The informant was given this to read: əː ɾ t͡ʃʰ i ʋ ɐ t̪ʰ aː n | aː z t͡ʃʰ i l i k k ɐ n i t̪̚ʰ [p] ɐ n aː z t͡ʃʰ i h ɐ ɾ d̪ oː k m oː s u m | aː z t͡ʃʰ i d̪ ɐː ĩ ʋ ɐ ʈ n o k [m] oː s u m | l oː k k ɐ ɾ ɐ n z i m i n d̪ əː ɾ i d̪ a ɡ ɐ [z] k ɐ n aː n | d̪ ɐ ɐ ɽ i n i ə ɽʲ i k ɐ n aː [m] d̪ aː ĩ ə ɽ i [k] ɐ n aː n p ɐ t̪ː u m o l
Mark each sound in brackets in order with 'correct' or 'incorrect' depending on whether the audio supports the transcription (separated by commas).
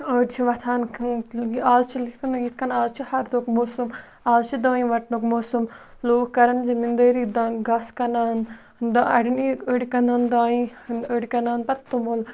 incorrect, correct, incorrect, incorrect, correct